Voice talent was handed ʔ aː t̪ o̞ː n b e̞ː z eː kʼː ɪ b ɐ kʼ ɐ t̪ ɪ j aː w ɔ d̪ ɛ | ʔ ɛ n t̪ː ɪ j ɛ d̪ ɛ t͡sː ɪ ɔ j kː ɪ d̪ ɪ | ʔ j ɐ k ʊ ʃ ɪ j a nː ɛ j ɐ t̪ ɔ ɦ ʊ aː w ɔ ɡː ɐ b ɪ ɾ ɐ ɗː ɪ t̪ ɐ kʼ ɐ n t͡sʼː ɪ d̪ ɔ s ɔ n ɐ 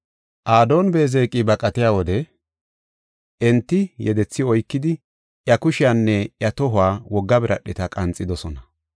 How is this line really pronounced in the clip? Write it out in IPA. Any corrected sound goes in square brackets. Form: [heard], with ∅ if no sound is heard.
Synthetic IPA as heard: ʔ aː [d̪] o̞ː n b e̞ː z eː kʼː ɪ b ɐ kʼ ɐ t̪ ɪ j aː w ɔ d̪ ɛ | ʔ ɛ n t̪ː ɪ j ɛ d̪ ɛ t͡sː ɪ ɔ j kː ɪ d̪ ɪ | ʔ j ɐ k ʊ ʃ ɪ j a nː ɛ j ɐ t̪ ɔ ɦ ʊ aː w ɔ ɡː ɐ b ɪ ɾ ɐ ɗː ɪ t̪ ɐ kʼ ɐ n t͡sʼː ɪ d̪ ɔ s ɔ n ɐ